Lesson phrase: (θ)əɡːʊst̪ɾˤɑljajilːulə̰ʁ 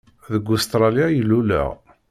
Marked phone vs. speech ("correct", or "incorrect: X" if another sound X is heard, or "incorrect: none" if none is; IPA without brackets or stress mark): incorrect: ð